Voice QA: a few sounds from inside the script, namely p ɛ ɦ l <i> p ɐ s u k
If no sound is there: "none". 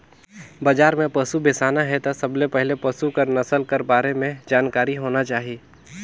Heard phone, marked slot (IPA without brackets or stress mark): e